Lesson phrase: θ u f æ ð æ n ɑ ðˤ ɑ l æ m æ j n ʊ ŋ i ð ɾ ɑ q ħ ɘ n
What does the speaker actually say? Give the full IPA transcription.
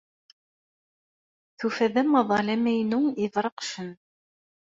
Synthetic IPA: θ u f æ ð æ m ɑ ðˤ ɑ l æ m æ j n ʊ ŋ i ð ɾ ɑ q ʃ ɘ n